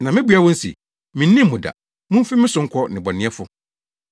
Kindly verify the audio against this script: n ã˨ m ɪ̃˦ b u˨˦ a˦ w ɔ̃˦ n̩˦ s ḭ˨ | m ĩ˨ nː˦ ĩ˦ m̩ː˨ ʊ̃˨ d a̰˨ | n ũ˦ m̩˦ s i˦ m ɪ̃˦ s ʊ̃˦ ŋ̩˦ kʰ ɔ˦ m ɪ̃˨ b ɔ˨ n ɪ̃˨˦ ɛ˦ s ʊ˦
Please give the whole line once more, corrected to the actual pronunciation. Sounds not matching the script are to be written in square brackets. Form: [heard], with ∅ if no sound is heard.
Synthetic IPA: n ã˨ m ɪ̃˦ b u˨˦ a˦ w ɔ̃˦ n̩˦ s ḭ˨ | m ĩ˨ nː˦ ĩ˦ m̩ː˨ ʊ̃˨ d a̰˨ | [m] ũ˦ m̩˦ [f] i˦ m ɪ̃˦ s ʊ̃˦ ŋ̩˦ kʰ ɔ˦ [n] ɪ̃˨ b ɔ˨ n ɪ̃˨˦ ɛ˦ [f] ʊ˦